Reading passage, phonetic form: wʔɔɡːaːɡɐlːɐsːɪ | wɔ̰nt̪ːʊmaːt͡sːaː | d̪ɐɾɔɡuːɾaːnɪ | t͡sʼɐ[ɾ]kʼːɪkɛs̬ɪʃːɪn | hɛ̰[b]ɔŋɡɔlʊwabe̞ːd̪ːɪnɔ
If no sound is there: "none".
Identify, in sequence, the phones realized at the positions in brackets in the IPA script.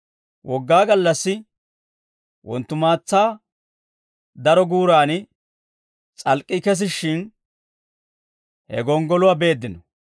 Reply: l, ɡ

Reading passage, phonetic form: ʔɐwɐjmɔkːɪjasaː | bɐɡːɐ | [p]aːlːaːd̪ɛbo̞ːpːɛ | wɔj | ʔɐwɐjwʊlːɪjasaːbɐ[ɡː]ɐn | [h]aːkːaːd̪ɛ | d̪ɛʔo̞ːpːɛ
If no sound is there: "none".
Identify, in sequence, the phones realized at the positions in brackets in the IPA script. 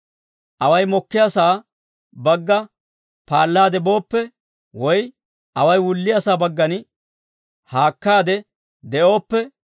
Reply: p, ɡː, h

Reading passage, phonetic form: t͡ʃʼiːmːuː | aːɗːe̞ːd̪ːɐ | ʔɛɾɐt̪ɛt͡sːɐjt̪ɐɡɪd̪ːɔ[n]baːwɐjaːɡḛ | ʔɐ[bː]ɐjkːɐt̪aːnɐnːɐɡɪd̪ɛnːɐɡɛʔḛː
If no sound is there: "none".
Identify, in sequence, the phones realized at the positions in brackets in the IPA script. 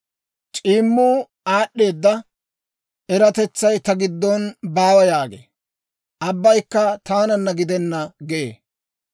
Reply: n, bː

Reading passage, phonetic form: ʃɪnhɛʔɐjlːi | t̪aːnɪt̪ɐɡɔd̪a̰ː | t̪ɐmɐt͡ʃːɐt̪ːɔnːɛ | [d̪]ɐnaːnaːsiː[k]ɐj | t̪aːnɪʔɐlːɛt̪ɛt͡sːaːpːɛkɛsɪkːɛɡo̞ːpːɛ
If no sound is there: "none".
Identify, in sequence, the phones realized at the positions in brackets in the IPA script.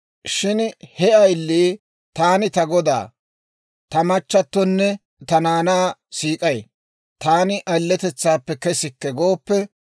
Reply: t̪, kʼ

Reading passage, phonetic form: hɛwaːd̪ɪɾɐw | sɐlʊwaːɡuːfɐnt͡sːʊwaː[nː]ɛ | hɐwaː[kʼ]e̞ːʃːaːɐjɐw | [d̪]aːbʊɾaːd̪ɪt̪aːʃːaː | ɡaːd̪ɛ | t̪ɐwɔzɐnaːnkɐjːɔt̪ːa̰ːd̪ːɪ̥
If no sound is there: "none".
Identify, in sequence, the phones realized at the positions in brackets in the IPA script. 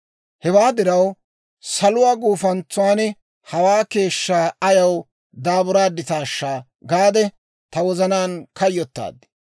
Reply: n, k, d̪

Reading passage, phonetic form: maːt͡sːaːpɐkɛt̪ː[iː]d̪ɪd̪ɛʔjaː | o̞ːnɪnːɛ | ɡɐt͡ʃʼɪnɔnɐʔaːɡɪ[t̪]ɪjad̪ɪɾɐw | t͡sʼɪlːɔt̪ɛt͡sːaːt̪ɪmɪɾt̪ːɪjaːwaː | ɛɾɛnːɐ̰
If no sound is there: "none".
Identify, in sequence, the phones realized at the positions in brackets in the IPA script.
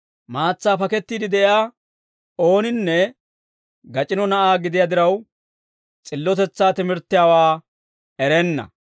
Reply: iː, d̪

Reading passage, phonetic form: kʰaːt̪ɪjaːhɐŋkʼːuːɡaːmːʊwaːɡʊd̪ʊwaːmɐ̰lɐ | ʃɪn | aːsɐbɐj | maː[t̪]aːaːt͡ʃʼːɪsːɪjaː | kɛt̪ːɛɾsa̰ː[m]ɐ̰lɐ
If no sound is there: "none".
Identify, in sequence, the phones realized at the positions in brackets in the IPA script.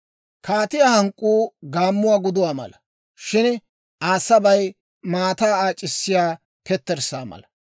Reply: t̪, m

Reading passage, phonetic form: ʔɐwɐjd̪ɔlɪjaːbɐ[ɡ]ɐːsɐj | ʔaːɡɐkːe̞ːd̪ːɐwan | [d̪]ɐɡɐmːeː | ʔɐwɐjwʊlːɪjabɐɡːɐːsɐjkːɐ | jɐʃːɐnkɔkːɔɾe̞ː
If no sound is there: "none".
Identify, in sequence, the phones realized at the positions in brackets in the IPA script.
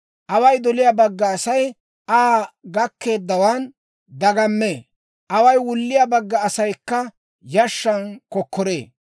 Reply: ɡː, d̪

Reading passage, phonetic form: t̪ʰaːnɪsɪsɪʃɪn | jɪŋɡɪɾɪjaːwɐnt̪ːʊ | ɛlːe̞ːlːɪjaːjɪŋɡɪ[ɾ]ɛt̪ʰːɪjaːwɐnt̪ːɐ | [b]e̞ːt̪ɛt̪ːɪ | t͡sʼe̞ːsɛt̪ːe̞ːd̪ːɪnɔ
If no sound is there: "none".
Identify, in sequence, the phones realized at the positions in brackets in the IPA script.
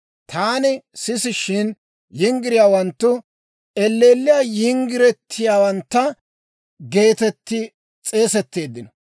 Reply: ɾ, ɡ

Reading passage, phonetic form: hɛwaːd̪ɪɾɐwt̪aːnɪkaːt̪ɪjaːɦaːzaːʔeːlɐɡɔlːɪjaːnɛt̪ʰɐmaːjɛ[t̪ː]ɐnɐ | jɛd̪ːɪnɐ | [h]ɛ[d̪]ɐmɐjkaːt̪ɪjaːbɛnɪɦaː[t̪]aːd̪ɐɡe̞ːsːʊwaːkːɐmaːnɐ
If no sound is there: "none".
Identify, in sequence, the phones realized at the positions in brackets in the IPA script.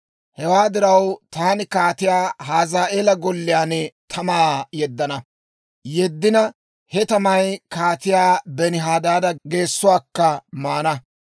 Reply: d̪ː, h, t̪, d̪

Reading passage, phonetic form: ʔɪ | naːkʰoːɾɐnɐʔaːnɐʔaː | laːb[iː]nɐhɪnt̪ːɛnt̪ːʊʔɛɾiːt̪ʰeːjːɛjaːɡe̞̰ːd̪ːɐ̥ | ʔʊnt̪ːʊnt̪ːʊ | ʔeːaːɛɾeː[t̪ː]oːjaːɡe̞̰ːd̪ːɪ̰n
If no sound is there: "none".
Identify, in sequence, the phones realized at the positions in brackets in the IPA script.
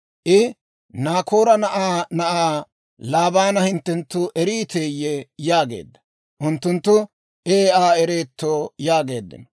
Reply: aː, t̪ː

